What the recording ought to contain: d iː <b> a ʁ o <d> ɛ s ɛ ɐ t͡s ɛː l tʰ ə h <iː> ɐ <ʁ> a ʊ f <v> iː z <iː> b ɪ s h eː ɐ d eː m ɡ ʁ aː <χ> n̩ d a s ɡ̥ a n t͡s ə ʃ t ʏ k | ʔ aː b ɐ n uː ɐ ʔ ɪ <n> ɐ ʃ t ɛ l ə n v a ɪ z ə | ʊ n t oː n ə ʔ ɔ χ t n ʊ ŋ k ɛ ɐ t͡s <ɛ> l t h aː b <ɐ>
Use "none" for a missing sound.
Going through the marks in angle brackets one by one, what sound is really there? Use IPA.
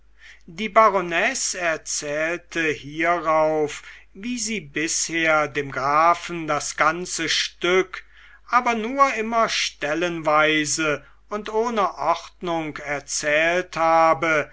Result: b, n, iː, ʁ, v, iː, f, m, ɛː, ə

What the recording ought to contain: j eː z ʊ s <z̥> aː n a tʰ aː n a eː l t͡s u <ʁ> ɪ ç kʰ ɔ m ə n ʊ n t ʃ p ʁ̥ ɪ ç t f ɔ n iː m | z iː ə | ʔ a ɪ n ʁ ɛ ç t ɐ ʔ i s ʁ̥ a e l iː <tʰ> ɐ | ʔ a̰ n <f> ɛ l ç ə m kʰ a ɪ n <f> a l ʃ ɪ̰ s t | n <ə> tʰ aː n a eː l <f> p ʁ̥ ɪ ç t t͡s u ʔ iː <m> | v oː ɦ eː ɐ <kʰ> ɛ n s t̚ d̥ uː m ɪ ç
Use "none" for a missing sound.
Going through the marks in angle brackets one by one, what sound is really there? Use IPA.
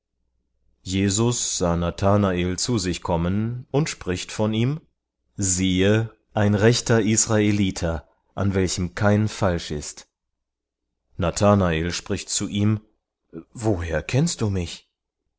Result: z̥, z, tʰ, v, f, a, ʃ, m, kʰ

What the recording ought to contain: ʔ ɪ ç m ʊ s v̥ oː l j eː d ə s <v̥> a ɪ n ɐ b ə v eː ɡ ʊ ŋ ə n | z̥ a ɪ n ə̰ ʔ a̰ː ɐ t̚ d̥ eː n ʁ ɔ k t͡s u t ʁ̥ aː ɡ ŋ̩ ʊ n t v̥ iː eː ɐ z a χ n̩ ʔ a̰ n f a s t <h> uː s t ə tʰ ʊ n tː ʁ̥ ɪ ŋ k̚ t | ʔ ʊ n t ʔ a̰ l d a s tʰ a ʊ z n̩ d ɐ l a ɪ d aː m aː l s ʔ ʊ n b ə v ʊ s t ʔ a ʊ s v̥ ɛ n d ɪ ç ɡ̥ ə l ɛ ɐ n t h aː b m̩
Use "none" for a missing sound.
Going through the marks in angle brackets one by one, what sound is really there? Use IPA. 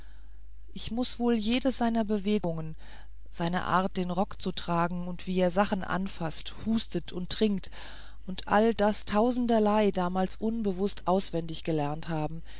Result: z̥, h

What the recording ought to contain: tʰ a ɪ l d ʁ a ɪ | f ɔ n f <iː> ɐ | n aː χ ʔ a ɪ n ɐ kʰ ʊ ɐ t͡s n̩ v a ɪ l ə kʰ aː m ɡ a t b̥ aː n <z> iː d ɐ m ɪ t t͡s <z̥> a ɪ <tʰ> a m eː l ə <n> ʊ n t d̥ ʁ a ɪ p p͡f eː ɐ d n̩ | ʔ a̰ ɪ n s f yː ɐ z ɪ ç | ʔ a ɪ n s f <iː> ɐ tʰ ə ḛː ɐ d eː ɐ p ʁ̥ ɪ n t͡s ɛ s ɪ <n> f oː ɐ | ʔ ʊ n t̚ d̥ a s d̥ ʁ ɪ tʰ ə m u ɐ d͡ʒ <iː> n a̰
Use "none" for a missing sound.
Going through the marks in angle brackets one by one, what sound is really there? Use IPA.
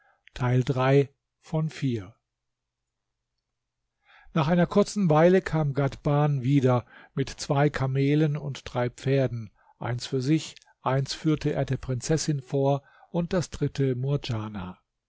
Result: iː, v, v̥, kʰ, n, yː, n, aː

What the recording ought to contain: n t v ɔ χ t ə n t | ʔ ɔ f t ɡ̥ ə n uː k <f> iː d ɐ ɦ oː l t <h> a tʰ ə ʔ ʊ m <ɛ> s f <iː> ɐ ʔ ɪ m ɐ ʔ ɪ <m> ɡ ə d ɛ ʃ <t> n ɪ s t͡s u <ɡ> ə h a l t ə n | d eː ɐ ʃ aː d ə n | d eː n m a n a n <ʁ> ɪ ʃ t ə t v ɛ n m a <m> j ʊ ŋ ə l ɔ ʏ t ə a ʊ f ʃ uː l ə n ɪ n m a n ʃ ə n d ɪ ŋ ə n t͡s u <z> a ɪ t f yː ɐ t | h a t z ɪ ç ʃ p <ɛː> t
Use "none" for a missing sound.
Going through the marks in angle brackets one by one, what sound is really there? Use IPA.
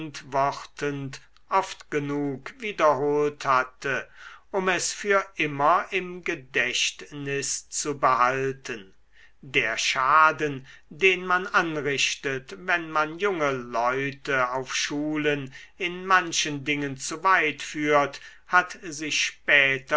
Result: v, h, ɛ, yː, m, t, b, ʁ, n, v, ɛː

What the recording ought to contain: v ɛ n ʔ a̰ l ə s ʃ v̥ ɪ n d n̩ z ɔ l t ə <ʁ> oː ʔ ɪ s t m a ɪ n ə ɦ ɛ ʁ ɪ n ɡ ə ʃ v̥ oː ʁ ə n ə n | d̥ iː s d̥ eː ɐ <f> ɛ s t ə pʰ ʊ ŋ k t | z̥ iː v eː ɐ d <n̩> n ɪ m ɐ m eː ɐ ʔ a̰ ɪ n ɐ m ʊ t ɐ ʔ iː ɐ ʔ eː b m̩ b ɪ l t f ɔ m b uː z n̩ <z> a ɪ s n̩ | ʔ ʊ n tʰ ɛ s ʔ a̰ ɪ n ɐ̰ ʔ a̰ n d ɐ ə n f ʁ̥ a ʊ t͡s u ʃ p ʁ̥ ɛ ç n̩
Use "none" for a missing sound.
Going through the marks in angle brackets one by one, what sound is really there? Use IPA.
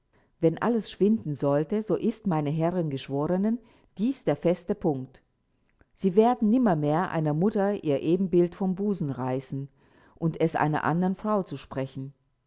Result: z, f, n̩, ʁ

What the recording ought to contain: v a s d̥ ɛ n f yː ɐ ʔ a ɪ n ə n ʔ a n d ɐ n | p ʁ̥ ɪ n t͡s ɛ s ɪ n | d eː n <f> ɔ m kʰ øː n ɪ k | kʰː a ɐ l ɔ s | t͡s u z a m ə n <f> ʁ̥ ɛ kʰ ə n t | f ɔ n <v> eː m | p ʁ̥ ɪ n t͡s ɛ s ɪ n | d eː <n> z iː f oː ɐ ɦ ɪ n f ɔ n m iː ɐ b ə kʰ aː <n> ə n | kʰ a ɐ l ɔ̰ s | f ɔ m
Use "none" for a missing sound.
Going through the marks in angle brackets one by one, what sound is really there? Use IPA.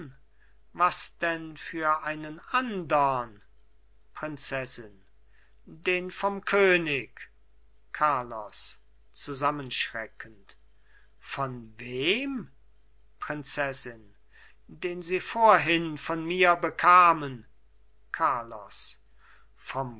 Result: f, ʃ, v, n, m

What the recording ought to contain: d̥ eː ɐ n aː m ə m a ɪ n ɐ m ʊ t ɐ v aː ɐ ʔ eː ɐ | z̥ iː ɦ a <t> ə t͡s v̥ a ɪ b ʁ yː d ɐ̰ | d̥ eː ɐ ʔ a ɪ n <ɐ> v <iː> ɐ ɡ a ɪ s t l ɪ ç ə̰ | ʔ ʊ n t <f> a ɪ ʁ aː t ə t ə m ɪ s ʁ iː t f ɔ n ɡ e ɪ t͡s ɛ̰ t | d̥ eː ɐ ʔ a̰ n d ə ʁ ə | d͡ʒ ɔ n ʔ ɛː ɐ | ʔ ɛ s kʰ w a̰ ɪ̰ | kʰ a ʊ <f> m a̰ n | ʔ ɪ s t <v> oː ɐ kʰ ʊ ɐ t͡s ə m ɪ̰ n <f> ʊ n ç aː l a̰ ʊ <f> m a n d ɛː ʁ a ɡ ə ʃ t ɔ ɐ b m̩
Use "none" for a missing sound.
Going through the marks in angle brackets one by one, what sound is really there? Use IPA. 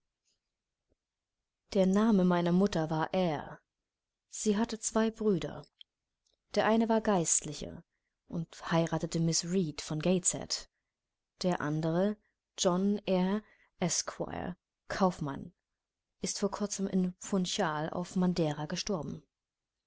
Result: t, ə, aː, h, f, f, f, f

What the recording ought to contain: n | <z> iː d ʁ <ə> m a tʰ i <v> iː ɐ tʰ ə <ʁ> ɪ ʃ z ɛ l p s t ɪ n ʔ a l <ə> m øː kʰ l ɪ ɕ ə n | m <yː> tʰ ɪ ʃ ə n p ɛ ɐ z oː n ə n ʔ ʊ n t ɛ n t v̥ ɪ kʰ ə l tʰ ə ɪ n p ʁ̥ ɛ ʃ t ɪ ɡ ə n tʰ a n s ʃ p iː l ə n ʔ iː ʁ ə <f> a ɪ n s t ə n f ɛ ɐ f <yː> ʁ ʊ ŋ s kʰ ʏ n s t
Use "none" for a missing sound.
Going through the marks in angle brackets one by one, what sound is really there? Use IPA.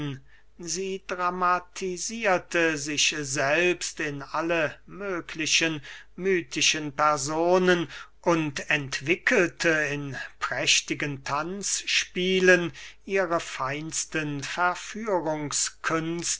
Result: z, a, z, z, ə, yː, f, yː

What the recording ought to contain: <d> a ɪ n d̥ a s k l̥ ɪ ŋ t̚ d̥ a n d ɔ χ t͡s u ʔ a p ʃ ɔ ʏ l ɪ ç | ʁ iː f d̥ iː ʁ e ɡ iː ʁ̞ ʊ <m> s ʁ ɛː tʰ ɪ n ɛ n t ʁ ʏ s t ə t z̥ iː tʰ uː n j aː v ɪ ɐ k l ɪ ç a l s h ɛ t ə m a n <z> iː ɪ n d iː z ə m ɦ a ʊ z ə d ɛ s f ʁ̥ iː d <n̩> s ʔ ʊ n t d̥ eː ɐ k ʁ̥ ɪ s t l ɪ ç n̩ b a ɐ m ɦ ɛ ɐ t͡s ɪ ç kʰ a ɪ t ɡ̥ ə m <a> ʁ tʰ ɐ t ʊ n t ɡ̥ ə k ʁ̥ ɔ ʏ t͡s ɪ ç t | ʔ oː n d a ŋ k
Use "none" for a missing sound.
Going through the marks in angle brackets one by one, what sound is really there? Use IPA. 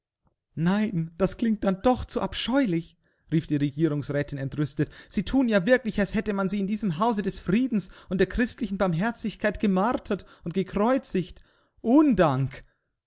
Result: n, ŋ, z, n̩, a

